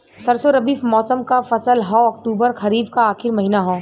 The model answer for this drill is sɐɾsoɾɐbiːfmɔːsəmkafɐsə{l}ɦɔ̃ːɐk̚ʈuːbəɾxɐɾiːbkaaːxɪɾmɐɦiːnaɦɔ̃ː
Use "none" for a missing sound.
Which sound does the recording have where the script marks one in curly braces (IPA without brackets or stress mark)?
l